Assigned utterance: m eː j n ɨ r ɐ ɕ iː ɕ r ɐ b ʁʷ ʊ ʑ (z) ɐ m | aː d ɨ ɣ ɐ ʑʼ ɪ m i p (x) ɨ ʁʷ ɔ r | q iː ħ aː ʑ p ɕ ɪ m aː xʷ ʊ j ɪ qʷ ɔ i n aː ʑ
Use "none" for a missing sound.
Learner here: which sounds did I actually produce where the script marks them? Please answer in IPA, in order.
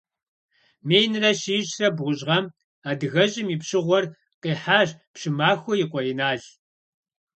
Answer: ʁ, ɕ

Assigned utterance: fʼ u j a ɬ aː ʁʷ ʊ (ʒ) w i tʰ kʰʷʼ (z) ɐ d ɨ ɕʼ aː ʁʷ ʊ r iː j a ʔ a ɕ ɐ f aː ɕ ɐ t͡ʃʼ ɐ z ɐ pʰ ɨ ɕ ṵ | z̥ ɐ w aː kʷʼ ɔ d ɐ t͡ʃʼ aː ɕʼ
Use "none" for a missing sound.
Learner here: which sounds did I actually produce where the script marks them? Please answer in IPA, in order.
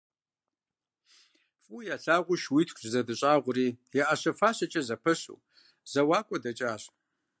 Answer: ʃ, z

